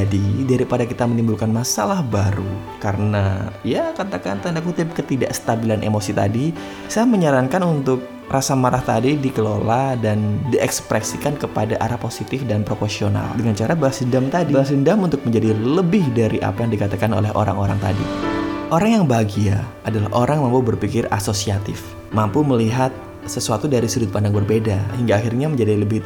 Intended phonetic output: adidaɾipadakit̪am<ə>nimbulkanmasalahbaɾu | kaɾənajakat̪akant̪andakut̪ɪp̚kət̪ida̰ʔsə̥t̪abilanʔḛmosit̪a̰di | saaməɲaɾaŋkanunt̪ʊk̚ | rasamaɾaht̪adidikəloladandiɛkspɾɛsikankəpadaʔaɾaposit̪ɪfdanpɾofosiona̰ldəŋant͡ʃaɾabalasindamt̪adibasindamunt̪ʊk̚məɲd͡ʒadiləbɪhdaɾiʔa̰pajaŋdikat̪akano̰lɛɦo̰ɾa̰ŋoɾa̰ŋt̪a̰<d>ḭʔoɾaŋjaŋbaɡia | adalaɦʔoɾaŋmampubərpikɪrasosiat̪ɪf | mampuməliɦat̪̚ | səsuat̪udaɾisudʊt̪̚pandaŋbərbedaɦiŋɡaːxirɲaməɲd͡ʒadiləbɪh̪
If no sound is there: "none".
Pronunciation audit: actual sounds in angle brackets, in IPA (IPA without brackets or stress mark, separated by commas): ə, d